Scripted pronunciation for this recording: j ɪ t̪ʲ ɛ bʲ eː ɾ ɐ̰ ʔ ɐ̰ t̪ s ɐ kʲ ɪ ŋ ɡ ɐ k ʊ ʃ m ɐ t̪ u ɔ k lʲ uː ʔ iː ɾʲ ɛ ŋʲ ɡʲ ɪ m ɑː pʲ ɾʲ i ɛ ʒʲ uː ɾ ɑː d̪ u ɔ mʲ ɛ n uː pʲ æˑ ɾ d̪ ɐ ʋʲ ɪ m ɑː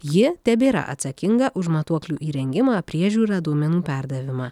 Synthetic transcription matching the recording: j ɪ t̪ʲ ɛ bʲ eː ɾ ɐ̰ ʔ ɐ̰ t̪ s ɐ kʲ ɪ ŋ ɡ ɐ ʔ ʊ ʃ m ɐ t̪ u ɔ k lʲ uː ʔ iː ɾʲ ɛ ŋʲ ɡʲ ɪ m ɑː pʲ ɾʲ i ɛ ʒʲ uː ɾ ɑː d̪ u ɔ mʲ ɛ n uː pʲ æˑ ɾ d̪ ɐ ʋʲ ɪ m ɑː